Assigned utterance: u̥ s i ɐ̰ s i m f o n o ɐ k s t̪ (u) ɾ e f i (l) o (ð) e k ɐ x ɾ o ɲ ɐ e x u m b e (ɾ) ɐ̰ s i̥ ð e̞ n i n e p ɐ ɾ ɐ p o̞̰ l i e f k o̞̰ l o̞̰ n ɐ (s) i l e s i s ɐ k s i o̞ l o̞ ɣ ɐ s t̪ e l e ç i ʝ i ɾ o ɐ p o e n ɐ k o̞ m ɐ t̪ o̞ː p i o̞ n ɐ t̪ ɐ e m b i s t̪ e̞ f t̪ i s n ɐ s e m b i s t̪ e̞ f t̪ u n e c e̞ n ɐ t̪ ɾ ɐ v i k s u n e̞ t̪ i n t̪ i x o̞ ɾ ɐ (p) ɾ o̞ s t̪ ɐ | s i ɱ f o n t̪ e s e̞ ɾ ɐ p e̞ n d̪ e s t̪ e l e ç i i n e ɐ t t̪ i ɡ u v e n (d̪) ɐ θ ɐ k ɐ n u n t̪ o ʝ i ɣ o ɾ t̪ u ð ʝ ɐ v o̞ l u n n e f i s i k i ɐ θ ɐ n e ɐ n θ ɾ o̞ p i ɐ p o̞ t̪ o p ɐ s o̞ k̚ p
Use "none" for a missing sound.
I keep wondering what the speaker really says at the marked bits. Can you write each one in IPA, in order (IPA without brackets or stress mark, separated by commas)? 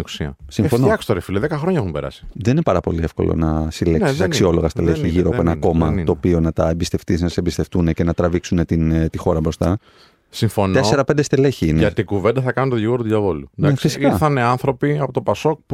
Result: o, l, ð, ɾ, s, b, d̪